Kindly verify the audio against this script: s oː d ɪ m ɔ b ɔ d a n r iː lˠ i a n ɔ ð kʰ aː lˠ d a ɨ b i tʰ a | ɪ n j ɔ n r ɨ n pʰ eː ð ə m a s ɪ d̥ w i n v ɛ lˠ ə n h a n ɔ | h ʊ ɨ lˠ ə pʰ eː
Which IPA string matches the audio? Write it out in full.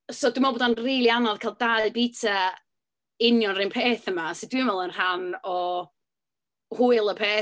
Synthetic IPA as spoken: s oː d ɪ m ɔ b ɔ d a n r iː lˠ i a n ɔ ð kʰ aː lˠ d a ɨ b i tʰ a | ɪ n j ɔ n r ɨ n pʰ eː θ ə m a s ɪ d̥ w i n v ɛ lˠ ə n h a n ɔ | h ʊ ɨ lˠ ə pʰ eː

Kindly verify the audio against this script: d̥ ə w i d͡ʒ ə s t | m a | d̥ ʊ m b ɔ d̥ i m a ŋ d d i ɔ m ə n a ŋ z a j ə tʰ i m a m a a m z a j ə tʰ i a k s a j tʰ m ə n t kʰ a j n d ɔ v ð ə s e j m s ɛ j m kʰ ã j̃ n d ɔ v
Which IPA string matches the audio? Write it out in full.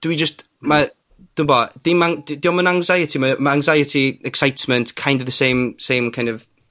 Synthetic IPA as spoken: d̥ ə w i d͡ʒ ə s t | m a | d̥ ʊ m b ɔ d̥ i m a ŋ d d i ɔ m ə n a ŋ z a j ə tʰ i m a m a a ŋ z a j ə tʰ i ɛ k s a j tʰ m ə n t kʰ a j n d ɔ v ð ə s e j m s e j m kʰ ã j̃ n d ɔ v

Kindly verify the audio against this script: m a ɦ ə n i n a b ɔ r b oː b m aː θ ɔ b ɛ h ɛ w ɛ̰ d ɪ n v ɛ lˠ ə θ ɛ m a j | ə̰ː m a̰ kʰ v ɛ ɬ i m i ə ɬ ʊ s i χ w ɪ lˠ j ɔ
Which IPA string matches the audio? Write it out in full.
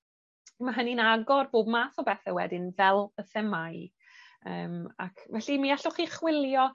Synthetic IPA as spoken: m a ɦ ə n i n a ɡ ɔ r b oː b m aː θ ɔ b ɛ θ ɛ w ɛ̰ d ɪ n v ɛ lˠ ə θ ɛ m a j | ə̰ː m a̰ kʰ v ɛ ɬ i m i a ɬ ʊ χ i χ w ɪ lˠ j ɔ

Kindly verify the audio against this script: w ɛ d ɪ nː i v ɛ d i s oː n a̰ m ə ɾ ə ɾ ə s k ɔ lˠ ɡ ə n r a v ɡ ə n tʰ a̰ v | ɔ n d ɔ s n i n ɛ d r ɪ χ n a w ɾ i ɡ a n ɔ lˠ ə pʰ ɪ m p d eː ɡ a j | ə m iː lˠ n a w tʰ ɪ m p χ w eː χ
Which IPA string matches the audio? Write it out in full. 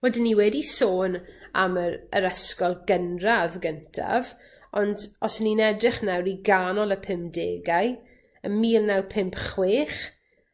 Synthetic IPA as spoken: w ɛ d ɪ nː i w ɛ d i s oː n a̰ m ə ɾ ə ɾ ə s k ɔ lˠ ɡ ə n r a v ɡ ə n tʰ a̰ v | ɔ n d ɔ s n i n ɛ d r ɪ χ n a w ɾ i ɡ a n ɔ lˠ ə pʰ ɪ m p d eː ɡ a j | ə m iː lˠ n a w pʰ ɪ m p χ w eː χ

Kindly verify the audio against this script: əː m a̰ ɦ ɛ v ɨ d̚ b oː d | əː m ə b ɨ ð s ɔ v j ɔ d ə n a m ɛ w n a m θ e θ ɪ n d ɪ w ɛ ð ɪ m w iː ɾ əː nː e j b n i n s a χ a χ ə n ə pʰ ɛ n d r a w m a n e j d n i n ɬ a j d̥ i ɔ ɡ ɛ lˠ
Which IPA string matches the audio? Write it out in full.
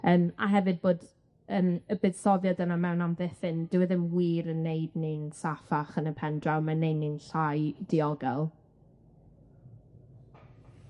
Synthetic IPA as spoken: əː m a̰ ɦ ɛ v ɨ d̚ b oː d | əː m ə b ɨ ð s ɔ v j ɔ d ə n a m ɛ w n a m ð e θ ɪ n d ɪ w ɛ ð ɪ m w iː ɾ ə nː e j d n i n s a f a χ ə n ə pʰ ɛ n d r a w m a n e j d n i n ɬ a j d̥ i ɔ ɡ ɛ lˠ

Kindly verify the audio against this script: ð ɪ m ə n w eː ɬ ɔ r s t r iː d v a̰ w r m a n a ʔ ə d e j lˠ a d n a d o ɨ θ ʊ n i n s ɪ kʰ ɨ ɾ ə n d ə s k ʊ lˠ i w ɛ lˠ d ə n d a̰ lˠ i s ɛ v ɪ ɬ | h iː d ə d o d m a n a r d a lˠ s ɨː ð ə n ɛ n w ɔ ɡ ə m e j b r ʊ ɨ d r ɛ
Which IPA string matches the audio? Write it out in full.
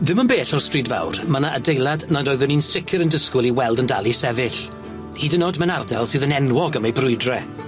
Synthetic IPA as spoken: ð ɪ m ə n b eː ɬ ɔ r s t r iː d v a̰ w r m a n a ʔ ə d e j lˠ a d n a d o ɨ ð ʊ n i n s ɪ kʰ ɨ ɾ ə n d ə s k ʊ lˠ i w ɛ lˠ d ə n d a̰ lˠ i s ɛ v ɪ ɬ | h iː d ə n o d m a n a r d a lˠ s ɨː ð ə n ɛ n w ɔ ɡ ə m e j b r ʊ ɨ d r ɛ

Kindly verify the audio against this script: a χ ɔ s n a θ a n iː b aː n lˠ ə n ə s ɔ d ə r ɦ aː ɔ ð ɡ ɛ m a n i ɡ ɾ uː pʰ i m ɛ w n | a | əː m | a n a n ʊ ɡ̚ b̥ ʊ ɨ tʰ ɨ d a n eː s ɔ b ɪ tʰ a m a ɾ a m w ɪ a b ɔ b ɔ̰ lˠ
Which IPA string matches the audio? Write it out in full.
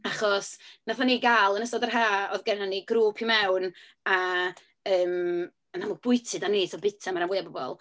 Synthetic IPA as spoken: a χ ɔ s n a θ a n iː ɡ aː lˠ ə n ə s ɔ d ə r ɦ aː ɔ ð ɡ ɛ n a n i ɡ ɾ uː pʰ i m ɛ w n | a | əː m | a n a m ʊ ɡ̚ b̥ ʊ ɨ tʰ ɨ d a n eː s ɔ b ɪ tʰ a m a ɾ a m w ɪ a b ɔ b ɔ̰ lˠ

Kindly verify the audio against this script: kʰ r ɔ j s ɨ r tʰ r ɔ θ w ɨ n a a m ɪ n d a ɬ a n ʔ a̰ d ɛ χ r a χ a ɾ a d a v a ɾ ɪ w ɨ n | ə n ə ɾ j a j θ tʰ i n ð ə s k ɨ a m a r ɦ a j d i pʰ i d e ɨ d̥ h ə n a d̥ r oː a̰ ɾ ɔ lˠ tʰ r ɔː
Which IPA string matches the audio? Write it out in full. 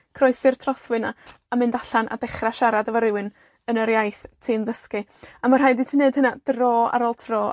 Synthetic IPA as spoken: kʰ r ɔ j s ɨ r tʰ r ɔ θ w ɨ n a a m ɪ n d a ɬ a n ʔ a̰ d ɛ χ r a ʃ a ɾ a d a v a ɾ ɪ w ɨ n | ə n ə ɾ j a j θ tʰ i n ð ə s k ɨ a m a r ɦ a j d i tʰ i n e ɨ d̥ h ə n a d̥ r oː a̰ ɾ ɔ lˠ tʰ r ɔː

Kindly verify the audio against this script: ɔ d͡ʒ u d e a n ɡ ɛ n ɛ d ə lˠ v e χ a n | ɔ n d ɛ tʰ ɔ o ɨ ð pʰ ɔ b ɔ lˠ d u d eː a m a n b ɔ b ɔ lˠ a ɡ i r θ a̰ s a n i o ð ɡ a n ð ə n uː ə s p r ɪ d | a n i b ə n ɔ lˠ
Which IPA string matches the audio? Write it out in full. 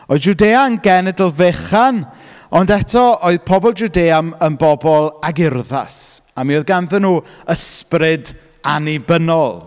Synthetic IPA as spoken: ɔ d͡ʒ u d e a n ɡ ɛ n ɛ d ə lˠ v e χ a n | ɔ n d ɛ tʰ ɔ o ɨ ð pʰ ɔ b ɔ lˠ d͡ʒ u d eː a m ə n b ɔ b ɔ lˠ a ɡ ɪ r ð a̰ s a m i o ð ɡ a n ð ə n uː ə s p r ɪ d | a n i b ə n ɔ lˠ

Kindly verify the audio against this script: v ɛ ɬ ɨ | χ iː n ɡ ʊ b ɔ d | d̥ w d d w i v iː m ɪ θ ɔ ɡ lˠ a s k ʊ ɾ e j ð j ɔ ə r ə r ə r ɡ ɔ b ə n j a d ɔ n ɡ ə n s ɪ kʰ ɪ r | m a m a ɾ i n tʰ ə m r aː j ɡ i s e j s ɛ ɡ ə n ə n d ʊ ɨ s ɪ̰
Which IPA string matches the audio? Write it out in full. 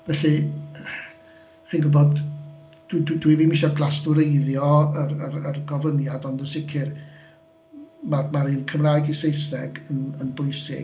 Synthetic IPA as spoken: v ɛ ɬ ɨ | χ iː n ɡ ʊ b ɔ d | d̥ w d d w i v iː m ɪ ʃ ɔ ɡ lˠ a s t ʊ ɾ e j ð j ɔ ə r ə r ə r ɡ ɔ v ə n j a d ɔ n d ə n s ɪ kʰ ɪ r | m a m a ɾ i n kʰ ə m r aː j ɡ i s e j s ɛ ɡ ə n ə n b ʊ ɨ s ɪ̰

